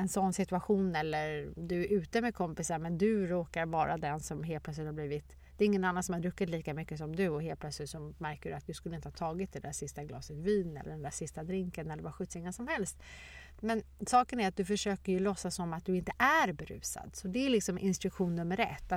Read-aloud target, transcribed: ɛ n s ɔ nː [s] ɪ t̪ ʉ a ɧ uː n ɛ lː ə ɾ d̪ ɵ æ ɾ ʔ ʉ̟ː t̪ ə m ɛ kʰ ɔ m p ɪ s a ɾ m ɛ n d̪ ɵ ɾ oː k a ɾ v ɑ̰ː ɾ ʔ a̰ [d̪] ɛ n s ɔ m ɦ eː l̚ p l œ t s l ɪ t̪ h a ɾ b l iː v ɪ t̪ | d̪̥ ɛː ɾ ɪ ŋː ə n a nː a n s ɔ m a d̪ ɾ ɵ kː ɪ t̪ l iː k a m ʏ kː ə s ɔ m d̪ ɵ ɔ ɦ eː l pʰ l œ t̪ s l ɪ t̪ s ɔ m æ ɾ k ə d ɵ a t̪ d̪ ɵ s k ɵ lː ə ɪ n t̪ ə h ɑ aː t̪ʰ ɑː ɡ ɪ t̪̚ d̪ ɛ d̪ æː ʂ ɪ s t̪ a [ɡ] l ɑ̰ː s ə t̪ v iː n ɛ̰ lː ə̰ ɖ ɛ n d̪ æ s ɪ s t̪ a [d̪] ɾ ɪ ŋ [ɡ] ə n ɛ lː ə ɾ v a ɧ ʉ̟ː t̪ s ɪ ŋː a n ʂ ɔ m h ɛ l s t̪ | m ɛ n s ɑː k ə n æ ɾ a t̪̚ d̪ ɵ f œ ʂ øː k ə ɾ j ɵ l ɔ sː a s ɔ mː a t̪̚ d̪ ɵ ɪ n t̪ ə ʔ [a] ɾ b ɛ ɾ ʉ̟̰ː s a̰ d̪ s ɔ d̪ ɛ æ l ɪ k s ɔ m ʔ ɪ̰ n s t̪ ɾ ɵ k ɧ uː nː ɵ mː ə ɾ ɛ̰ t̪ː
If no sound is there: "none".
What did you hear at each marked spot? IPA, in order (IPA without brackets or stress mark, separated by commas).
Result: s, d̪, ɡ, d̪, k, æ